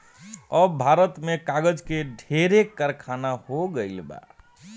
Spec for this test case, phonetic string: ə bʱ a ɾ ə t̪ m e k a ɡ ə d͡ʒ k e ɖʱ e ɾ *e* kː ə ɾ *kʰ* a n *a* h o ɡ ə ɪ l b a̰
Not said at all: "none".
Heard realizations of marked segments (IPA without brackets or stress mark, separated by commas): e, kʰ, a